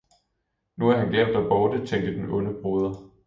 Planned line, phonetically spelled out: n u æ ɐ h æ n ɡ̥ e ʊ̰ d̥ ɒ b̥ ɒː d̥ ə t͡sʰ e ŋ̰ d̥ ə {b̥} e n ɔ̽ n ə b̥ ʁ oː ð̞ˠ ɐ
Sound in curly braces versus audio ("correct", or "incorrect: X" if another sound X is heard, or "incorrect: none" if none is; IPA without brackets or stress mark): incorrect: d̥